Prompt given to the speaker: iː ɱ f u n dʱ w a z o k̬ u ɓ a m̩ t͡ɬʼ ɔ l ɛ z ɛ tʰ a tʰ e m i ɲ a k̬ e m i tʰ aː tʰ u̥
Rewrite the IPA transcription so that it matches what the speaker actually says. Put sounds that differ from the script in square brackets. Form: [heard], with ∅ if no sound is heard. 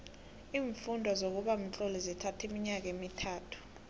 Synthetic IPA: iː ɱ f u n dʱ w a z o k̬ u ɓ a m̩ t͡ɬʼ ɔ l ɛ z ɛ tʰ a tʰ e m i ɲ a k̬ e m i tʰ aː tʰ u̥